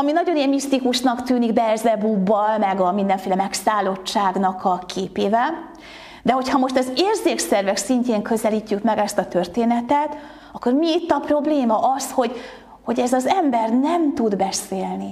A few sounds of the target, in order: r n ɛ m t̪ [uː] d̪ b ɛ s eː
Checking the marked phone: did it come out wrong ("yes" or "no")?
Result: yes